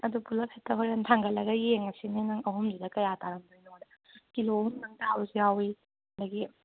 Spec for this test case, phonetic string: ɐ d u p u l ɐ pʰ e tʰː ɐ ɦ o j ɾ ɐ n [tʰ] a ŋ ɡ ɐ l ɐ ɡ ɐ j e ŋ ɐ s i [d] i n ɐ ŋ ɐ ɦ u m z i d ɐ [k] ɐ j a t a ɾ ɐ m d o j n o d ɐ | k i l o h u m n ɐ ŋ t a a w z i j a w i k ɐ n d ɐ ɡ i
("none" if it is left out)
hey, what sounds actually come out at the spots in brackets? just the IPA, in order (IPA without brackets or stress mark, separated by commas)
tʰ, n, k